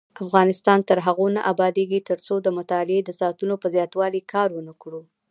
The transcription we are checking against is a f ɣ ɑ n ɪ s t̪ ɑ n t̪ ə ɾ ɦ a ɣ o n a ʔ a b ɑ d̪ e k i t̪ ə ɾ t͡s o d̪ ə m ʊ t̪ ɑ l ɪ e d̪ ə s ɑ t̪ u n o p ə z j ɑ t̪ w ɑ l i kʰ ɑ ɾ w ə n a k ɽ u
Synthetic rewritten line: a f ɣ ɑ n ɪ s t̪ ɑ n t̪ ə ɾ ɦ a ɣ o n a ʔ a b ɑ d̪ e ɡ i t̪ ə ɾ t͡s o d̪ ə m ʊ t̪ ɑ l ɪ e d̪ ə s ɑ t̪ u n o p ə z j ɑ t̪ w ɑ l i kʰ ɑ ɾ w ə n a k ɽ u